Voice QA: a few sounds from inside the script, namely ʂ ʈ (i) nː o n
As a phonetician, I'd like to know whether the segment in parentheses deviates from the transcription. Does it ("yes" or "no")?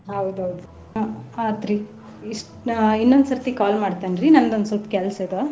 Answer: no